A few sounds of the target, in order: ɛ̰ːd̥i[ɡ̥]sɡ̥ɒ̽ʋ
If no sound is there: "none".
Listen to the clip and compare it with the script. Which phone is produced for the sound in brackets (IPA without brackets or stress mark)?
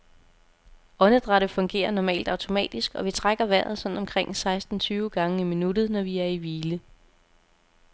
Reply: none